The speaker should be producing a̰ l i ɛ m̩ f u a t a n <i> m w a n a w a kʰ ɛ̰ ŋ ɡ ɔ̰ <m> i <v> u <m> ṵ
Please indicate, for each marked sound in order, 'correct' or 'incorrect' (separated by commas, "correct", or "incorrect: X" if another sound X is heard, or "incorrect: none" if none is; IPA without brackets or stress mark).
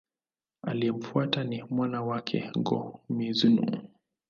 correct, correct, incorrect: z, incorrect: n